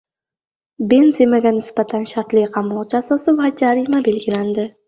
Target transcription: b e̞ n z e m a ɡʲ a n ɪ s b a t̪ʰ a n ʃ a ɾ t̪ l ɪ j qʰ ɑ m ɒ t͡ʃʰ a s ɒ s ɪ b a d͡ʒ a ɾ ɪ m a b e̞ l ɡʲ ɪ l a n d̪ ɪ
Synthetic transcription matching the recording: b e̞ n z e m a ɡʲ a n ɪ s b a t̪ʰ a n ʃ a ɾ t̪ l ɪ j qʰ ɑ m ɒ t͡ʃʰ a s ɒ s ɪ v a d͡ʒ a ɾ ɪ m a b e̞ l ɡʲ ɪ l a n d̪ ɪ

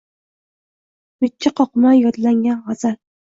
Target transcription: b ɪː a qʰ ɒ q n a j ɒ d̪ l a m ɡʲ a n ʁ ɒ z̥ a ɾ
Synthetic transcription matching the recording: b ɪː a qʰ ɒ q m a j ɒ d̪ l a ŋ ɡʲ a n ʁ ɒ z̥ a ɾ

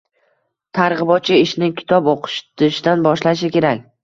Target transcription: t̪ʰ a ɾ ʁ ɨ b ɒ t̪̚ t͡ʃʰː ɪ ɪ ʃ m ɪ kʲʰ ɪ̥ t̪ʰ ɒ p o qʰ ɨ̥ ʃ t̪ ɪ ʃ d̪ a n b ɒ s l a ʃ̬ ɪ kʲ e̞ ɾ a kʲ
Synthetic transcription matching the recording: t̪ʰ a ɾ ʁ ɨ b ɒ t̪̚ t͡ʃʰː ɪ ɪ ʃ n ɪ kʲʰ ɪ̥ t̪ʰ ɒ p o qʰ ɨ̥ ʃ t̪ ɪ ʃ d̪ a n b ɒ ʃ l a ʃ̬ ɪ kʲ e̞ ɾ a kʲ

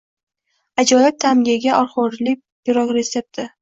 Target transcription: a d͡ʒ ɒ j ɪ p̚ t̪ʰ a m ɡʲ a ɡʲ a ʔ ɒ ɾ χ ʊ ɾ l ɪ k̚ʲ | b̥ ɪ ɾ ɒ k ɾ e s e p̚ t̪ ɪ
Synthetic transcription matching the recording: a d͡ʒ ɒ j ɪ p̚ t̪ʰ a m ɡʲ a ɡʲ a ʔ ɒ ɾ χ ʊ ɾ l ɪ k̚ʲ | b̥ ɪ ɾ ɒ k ɾ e s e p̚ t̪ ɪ

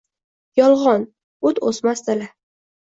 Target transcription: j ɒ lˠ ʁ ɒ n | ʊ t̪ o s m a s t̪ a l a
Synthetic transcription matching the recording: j ɒ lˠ ʁ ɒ n | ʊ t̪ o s m a s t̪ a l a

